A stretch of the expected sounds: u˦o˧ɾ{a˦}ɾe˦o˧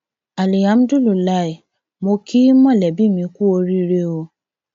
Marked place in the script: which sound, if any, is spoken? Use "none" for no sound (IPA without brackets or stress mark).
i˦